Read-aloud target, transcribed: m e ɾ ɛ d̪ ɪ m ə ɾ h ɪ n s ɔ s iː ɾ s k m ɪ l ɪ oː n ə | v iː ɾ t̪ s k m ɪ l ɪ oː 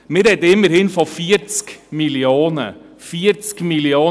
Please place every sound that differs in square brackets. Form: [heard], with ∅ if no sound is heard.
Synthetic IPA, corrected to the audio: m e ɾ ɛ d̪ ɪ m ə ɾ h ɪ n [f] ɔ [f] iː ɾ s k m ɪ l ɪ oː n ə | [f] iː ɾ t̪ s k m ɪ l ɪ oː